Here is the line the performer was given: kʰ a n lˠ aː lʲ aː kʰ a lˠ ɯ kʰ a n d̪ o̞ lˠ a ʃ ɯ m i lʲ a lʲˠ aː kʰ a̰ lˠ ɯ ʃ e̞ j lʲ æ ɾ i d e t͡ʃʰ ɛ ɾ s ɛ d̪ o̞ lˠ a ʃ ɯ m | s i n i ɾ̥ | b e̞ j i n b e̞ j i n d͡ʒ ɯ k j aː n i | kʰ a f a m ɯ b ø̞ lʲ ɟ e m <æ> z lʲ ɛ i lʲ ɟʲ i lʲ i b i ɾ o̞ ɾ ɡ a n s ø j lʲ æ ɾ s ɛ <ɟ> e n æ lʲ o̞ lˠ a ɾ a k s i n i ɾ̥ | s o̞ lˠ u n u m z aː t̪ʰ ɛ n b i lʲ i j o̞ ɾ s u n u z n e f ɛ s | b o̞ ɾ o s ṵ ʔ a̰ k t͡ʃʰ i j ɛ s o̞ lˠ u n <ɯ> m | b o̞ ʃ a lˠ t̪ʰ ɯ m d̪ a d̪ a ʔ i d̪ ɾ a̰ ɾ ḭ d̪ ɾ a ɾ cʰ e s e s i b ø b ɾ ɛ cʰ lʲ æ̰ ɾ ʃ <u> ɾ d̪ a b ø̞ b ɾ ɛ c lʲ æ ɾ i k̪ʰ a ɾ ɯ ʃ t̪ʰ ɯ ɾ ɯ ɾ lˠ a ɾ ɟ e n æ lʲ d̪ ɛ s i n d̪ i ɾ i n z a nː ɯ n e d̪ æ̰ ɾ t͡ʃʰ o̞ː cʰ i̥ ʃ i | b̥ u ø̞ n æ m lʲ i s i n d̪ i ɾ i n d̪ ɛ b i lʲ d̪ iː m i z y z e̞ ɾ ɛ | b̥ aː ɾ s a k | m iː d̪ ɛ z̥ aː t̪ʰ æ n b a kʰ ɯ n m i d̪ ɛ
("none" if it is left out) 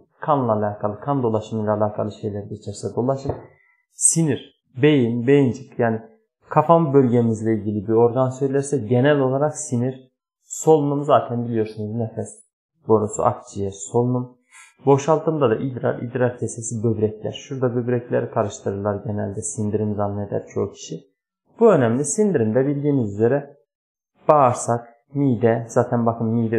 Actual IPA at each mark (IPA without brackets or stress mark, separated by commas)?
i, ɟ, u, u